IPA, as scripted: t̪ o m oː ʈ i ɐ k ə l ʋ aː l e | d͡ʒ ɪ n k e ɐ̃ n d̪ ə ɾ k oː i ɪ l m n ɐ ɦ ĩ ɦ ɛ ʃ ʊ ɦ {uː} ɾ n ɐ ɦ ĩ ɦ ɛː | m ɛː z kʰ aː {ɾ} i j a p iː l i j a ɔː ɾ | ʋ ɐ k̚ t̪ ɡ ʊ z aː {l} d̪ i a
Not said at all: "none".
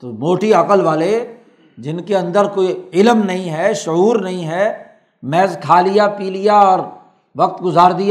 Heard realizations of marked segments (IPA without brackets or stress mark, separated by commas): uː, l, ɾ